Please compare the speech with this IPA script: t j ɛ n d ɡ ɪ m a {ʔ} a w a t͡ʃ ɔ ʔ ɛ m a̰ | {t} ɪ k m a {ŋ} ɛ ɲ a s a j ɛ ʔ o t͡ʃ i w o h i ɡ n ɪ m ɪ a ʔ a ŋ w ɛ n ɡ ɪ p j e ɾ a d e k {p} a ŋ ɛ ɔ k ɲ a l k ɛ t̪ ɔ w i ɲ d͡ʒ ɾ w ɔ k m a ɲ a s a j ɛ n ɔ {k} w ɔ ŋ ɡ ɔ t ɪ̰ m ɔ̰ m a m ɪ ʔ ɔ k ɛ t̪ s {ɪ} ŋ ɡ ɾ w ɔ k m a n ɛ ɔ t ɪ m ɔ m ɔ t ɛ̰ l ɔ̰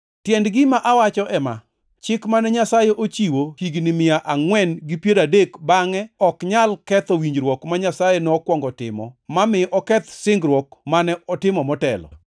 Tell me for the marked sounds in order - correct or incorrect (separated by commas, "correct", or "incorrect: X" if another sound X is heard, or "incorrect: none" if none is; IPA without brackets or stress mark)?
correct, incorrect: t͡ʃ, incorrect: n, incorrect: b, correct, correct